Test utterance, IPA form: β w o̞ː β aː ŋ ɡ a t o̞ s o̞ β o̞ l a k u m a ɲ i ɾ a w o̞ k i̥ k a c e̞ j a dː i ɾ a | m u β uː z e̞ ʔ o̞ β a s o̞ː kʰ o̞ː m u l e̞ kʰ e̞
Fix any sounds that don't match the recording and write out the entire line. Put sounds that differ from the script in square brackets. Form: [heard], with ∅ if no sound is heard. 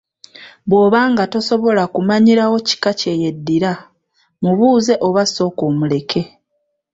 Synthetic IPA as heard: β w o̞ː β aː ŋ ɡ a t o̞ s o̞ β o̞ l a k u m a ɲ i ɾ a w o̞ [c] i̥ k a c e̞ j [e] dː i ɾ a | m u β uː z e̞ ʔ o̞ β a s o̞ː [k] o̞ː m u l e̞ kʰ e̞